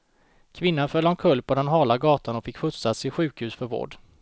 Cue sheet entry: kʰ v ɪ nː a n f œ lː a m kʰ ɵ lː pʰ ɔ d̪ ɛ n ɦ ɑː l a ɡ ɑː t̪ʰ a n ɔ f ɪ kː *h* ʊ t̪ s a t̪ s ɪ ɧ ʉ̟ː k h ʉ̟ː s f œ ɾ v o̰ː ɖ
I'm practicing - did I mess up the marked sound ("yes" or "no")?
yes